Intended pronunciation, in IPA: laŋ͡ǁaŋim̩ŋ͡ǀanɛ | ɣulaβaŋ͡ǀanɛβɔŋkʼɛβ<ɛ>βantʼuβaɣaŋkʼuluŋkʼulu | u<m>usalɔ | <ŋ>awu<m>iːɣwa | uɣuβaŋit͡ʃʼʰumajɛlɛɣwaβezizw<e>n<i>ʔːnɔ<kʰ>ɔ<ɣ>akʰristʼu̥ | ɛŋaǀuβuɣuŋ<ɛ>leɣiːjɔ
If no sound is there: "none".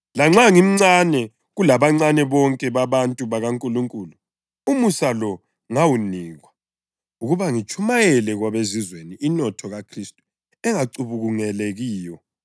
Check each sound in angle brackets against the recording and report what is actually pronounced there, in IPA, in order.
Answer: a, m, ŋ, n, e, i, tʰ, ɣ, ɛ

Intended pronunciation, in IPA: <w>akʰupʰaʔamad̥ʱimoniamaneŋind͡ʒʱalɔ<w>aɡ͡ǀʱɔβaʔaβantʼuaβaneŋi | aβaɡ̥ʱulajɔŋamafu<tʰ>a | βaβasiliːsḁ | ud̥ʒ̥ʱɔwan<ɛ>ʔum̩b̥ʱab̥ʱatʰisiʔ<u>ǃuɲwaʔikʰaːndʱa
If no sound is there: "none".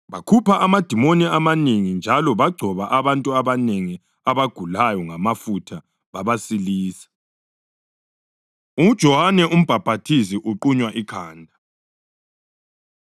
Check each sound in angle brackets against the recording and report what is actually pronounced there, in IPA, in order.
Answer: β, β, tʰ, ɛ, u

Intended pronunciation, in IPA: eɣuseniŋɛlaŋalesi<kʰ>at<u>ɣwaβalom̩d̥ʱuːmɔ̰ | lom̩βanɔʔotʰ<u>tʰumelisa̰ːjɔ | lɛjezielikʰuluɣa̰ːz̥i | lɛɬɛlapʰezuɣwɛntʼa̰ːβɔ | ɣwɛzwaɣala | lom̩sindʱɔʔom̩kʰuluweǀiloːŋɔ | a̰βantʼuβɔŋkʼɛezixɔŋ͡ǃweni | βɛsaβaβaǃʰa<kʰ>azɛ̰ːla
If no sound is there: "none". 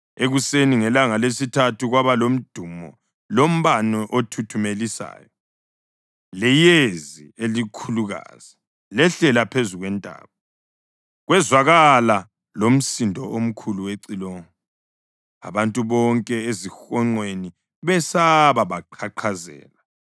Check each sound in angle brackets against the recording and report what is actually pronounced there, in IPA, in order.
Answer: tʰ, u, u, ǃʰ

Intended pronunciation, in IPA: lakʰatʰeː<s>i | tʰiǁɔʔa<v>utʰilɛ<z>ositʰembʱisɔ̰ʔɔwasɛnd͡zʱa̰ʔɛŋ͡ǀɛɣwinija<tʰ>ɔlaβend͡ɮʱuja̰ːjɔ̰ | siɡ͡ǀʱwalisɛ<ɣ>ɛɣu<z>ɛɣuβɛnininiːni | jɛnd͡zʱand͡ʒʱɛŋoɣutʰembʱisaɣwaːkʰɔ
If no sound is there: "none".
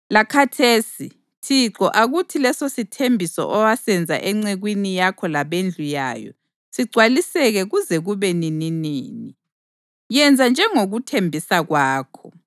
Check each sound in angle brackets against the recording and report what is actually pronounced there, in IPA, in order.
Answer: s, ɣ, s, kʰ, ɣ, z

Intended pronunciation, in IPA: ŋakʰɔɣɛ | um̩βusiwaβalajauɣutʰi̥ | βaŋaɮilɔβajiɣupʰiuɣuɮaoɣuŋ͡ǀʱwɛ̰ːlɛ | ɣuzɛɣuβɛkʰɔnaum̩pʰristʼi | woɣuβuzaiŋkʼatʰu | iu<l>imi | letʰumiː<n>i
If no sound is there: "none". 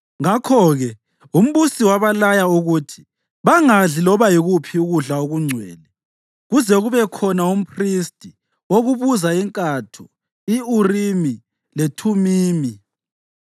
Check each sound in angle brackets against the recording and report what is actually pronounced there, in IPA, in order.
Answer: r, m

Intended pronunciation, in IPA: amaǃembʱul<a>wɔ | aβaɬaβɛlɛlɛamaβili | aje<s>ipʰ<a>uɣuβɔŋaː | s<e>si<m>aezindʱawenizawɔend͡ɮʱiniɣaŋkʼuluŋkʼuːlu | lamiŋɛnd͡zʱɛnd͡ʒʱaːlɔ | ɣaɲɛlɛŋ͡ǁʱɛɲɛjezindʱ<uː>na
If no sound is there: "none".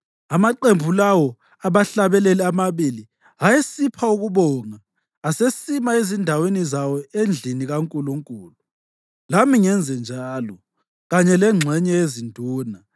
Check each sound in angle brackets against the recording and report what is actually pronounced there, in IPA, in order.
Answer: a, s, a, e, m, uː

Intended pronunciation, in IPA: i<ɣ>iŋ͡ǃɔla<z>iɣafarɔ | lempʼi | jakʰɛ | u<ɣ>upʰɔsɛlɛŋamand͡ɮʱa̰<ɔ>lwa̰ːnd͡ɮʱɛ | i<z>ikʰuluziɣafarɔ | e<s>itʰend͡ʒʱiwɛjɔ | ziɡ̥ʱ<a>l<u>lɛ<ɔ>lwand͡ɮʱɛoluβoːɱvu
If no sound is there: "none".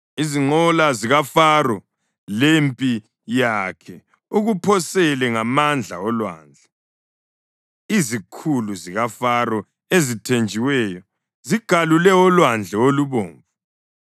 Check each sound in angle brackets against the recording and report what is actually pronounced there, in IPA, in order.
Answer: z, z, ɣ, ɔ, z, z, a, u, ɔ

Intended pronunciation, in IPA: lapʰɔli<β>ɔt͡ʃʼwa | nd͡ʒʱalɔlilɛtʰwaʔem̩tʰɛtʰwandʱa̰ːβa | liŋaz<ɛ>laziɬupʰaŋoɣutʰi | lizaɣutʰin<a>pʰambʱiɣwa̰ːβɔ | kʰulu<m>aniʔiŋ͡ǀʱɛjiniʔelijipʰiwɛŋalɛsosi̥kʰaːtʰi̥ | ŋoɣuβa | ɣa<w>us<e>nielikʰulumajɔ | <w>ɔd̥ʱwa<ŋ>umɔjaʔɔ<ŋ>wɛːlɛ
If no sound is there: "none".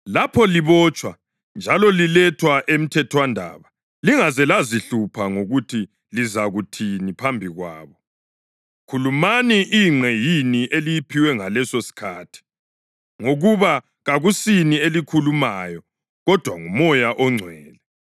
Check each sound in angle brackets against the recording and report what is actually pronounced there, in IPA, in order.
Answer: β, ɛ, i, m, ɣ, i, ɣ, ŋ, ŋ͡ǀʱ

